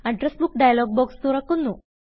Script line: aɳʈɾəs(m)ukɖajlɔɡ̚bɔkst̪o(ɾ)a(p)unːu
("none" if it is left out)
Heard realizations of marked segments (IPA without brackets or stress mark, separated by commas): b, ɾ, k